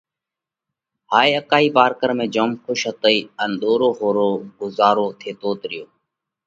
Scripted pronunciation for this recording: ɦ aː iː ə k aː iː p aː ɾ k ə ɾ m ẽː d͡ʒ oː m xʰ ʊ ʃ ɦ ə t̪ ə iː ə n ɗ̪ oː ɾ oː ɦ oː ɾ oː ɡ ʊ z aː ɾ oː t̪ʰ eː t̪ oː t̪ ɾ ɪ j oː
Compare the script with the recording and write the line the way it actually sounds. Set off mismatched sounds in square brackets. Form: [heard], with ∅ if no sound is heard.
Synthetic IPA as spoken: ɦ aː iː ə k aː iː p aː ɾ k ə ɾ m ẽː d͡ʒ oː m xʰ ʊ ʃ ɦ ə t̪ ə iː ə n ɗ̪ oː ɾ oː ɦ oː ɾ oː ɡ ʊ z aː ɾ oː t̪ʰ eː t̪ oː t̪ ɾ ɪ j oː